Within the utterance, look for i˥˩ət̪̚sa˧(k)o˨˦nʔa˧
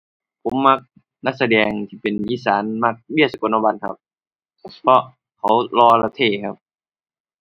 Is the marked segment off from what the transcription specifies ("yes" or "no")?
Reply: no